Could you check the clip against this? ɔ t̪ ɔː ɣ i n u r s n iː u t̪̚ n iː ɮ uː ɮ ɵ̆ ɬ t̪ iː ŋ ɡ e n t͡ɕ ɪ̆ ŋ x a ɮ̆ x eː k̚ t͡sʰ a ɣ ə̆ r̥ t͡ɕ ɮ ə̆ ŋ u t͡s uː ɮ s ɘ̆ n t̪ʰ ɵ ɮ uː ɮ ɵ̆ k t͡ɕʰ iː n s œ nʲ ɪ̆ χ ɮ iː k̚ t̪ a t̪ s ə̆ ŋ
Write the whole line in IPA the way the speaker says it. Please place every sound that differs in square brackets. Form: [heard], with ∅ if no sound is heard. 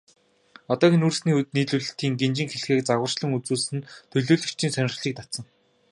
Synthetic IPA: ɔ t̪ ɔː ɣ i n u r s n iː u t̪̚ n iː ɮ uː ɮ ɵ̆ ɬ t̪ iː ŋ ɡ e n t͡ɕ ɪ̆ ŋ x [e] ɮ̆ x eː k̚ [t͡s] a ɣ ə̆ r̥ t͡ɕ ɮ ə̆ ŋ u t͡s uː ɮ s ɘ̆ n t̪ʰ ɵ ɮ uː ɮ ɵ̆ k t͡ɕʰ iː n s œ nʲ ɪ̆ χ ɮ iː k̚ t̪ a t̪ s ə̆ ŋ